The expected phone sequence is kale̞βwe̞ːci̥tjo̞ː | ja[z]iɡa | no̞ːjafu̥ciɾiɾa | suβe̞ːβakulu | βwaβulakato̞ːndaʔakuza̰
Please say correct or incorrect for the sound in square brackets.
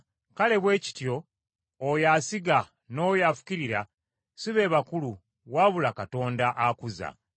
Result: incorrect